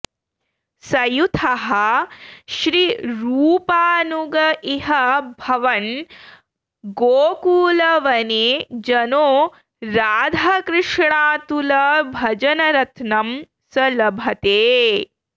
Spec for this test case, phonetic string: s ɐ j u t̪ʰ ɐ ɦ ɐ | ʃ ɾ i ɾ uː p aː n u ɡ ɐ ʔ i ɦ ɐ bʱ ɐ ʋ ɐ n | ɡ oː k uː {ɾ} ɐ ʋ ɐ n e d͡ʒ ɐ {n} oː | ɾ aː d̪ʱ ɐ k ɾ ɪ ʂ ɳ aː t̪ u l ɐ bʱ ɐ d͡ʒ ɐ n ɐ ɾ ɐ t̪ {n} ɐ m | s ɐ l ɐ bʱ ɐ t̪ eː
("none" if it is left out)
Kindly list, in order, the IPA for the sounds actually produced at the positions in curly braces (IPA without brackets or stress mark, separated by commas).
l, n, n